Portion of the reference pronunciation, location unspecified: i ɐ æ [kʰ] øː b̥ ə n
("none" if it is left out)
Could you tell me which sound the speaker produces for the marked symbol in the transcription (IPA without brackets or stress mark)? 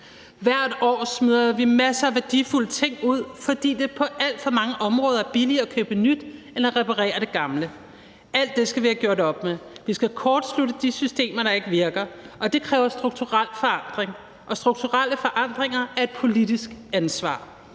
kʰ